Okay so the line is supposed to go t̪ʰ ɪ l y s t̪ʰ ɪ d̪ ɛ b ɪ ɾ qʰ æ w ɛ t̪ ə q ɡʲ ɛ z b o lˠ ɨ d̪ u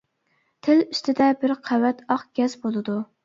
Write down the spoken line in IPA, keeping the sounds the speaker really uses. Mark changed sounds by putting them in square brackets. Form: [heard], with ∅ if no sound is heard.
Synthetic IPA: t̪ʰ ɪ l y s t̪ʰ ɪ d̪ ɛ b ɪ ɾ qʰ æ w ɛ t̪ [ɑ] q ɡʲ ɛ z b o lˠ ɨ d̪ u